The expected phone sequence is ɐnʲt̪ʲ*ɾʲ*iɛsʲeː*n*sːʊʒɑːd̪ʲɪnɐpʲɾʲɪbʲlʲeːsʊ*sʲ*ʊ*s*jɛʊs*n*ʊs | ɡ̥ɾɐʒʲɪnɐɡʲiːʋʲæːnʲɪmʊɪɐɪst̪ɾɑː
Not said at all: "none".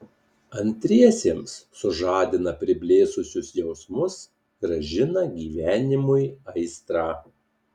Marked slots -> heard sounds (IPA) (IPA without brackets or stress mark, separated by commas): ɾʲ, m, sʲ, s, m